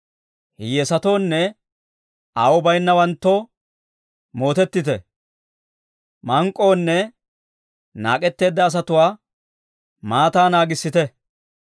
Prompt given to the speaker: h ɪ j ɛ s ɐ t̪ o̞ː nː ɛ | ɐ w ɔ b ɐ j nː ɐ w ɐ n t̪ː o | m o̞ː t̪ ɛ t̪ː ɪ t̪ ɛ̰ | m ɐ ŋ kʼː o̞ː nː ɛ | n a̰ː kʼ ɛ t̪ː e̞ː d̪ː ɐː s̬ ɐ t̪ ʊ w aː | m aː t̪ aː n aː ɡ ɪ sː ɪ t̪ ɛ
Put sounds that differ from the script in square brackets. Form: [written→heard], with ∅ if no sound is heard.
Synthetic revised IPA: h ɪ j ɛ s ɐ t̪ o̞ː nː ɛ | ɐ w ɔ b ɐ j nː ɐ w ɐ n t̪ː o | m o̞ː t̪ ɛ t̪ː ɪ t̪ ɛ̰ | m ɐ ŋ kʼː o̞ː nː ɛ | n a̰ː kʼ ɛ t̪ː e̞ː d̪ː ɐː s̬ ɐ t̪ ʊ w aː | m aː t̪ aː n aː ɡ ɪ sː ɪ t̪ ɛ